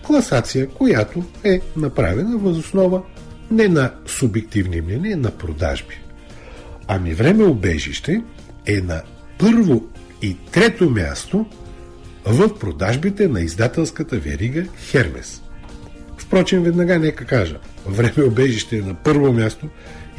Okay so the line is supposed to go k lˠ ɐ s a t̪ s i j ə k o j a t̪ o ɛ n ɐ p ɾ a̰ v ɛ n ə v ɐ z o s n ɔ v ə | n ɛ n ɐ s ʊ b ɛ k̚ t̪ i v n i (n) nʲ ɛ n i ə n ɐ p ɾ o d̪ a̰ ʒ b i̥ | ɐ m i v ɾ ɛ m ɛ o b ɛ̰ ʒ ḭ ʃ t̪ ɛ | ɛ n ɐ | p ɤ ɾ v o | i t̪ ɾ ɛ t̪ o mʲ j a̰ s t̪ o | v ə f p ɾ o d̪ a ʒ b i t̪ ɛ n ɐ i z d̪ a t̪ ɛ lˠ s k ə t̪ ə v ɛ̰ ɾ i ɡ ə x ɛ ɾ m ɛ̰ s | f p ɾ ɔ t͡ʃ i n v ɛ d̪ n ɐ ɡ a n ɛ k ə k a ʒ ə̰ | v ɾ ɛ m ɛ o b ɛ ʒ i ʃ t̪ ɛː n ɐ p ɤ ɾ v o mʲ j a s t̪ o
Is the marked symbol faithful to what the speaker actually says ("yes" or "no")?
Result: no